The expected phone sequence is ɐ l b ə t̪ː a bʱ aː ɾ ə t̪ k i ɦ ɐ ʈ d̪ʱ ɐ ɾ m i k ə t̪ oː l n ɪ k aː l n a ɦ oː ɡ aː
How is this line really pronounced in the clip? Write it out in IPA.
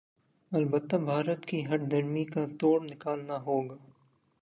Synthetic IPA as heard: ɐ l b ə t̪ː a bʱ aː ɾ ə t̪ k i ɦ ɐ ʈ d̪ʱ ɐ ɾ m i k a t̪ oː ɽ n ɪ k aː l n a ɦ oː ɡ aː